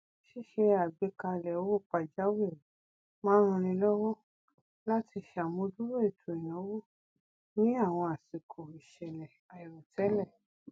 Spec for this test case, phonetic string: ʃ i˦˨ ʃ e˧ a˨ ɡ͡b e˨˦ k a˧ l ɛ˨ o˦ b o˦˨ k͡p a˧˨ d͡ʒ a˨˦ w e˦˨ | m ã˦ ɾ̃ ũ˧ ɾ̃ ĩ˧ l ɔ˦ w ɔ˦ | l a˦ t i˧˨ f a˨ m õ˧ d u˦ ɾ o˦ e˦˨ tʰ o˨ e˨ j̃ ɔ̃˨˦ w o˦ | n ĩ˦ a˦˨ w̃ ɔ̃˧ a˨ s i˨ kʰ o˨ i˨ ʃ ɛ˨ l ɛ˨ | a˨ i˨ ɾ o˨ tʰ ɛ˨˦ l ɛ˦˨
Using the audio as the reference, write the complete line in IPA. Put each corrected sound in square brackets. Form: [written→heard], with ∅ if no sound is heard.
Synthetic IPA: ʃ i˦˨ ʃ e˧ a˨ ɡ͡b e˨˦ k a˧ l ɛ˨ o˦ [b→w] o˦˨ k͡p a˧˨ d͡ʒ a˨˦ w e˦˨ | m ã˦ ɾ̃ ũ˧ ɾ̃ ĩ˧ l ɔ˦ w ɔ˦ | l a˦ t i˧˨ [f→ʃ] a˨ m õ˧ d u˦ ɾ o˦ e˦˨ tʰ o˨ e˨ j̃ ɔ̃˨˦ w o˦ | n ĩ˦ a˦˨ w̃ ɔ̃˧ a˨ s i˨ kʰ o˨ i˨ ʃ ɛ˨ l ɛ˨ | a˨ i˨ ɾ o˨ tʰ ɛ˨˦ l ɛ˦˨